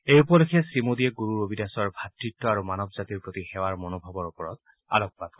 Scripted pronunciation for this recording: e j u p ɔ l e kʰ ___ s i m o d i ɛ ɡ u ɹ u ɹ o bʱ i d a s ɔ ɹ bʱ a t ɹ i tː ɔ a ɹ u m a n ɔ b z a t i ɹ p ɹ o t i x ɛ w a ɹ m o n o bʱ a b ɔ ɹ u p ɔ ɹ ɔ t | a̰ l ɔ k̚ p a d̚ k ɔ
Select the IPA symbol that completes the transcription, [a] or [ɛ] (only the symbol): ɛ